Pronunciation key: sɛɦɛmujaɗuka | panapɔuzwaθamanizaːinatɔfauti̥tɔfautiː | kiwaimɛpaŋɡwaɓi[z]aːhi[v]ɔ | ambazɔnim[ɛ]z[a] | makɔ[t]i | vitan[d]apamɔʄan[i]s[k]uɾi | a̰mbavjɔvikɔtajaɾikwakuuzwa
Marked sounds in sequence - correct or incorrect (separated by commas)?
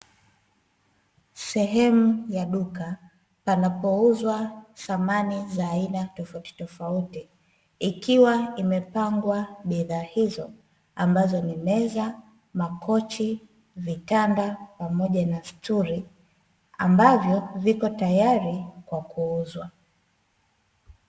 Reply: incorrect, incorrect, correct, correct, incorrect, correct, incorrect, incorrect